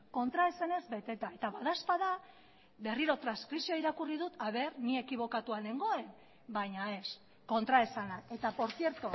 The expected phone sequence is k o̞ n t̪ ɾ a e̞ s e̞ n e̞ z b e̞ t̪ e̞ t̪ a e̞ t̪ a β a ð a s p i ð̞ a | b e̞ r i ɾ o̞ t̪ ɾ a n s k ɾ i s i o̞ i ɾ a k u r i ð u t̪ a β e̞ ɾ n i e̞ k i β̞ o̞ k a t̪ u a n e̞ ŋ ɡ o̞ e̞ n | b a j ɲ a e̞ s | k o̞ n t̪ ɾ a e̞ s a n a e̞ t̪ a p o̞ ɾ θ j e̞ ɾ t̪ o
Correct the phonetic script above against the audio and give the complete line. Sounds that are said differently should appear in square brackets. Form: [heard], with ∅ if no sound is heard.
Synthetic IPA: k o̞ n t̪ ɾ a e̞ s e̞ n e̞ z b e̞ t̪ e̞ t̪ a e̞ t̪ a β a ð a s p [a] ð̞ a | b e̞ r i ɾ o̞ t̪ ɾ a n s k ɾ i s i o̞ i ɾ a k u r i ð u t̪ a β e̞ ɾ n i e̞ k i β̞ o̞ k a t̪ u a n e̞ ŋ ɡ o̞ e̞ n | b a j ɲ a e̞ s | k o̞ n t̪ ɾ a e̞ s a n a e̞ t̪ a p o̞ ɾ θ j e̞ ɾ t̪ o